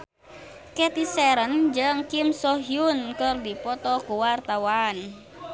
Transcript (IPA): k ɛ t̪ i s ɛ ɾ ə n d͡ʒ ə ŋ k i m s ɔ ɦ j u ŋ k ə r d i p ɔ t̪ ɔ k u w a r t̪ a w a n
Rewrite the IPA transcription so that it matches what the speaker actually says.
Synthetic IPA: k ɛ t̪ i s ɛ ɾ ə n d͡ʒ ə ŋ k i m s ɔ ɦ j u n k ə r d i p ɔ t̪ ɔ k u w a r t̪ a w a n